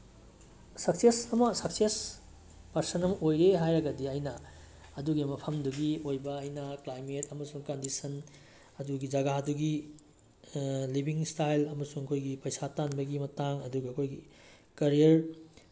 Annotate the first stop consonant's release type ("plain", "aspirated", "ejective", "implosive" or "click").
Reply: plain